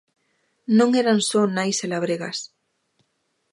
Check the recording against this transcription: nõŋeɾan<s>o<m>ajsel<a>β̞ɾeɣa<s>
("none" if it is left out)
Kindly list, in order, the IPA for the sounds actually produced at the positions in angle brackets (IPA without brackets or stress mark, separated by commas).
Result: s, n, a, s